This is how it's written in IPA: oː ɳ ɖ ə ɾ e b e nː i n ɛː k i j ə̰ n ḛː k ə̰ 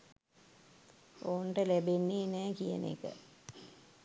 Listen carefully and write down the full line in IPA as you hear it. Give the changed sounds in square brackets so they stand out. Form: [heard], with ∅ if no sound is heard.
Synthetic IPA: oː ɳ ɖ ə [l] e b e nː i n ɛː k i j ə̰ n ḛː k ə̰